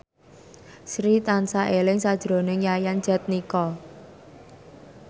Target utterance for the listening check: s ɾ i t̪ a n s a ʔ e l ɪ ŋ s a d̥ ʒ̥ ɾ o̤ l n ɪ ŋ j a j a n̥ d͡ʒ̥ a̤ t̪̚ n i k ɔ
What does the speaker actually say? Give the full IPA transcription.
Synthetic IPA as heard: s ɾ i t̪ a n s a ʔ e l ɪ ŋ s a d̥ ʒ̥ ɾ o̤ n ɪ ŋ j a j a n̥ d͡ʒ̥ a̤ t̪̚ n i k ɔ